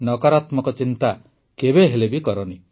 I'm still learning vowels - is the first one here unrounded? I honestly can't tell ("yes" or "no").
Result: no